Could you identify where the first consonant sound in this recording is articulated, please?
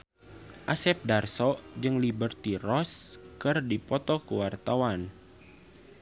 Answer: glottal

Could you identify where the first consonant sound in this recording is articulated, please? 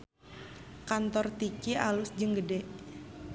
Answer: velar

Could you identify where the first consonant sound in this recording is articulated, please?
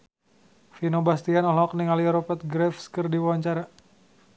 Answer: labial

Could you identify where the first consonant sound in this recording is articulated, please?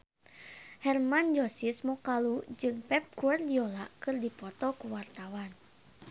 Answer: glottal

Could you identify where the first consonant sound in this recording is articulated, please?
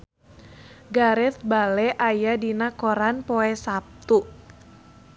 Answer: velar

